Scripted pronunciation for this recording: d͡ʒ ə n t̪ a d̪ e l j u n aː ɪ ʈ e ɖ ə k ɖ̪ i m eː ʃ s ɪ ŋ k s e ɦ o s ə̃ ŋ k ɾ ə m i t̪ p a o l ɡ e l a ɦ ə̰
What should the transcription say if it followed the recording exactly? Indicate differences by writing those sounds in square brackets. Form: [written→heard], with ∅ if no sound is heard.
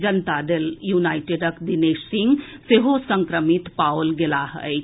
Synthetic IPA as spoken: d͡ʒ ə n t̪ a d̪ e l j u n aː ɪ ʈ e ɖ ə k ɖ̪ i [m→n] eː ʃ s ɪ ŋ [k→ɡ] s e ɦ o s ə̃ ŋ k ɾ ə m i t̪ p a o l ɡ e l a ɦ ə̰